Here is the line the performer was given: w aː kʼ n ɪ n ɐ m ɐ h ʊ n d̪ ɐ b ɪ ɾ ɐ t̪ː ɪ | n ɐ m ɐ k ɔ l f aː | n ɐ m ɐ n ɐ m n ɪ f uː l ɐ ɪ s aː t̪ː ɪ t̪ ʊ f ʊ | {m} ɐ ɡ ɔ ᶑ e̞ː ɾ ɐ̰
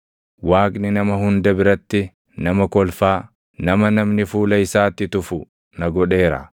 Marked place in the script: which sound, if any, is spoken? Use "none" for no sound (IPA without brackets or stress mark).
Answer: n